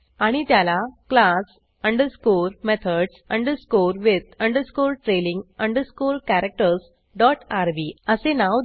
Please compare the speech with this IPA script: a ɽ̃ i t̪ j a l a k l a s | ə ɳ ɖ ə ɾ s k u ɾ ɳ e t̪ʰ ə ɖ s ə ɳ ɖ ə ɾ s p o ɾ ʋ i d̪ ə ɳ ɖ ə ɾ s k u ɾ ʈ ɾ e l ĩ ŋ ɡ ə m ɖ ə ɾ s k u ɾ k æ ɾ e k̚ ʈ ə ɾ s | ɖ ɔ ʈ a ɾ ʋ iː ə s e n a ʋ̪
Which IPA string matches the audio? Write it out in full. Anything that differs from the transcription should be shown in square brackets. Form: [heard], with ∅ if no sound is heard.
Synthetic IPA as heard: a ɽ̃ i t̪ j a l a k l a s | ə ɳ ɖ ə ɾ s k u ɾ [m] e t̪ʰ ə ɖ s ə ɳ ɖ ə ɾ s [k] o ɾ ʋ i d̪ ə ɳ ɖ ə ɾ s k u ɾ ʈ ɾ e l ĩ ŋ ɡ ə [ɳ] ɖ ə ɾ s k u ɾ k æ ɾ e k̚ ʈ ə ɾ s | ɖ ɔ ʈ a ɾ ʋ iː ə s e n a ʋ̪